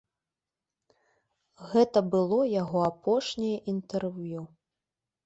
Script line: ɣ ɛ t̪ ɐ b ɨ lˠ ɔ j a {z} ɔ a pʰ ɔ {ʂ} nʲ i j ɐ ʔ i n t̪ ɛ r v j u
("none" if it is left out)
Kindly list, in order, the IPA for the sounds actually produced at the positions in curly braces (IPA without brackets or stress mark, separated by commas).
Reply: ɣ, ʂ